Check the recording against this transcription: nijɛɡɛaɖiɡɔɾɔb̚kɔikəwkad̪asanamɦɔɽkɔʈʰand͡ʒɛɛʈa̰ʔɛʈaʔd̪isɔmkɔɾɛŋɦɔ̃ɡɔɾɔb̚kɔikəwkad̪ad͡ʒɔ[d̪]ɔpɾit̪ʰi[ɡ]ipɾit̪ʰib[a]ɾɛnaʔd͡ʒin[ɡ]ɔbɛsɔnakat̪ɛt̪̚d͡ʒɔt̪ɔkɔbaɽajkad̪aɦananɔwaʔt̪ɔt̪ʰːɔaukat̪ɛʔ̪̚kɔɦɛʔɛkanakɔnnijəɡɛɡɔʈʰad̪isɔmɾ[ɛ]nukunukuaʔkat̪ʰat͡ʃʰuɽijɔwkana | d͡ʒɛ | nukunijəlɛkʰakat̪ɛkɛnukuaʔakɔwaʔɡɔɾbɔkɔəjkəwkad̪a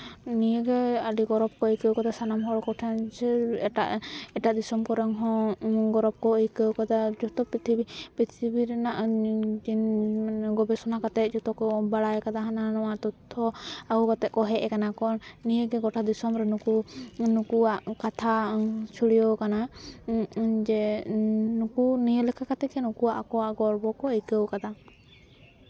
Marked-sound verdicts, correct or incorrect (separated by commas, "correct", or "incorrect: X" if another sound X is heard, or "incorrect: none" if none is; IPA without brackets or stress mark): incorrect: t̪, incorrect: b, incorrect: i, correct, correct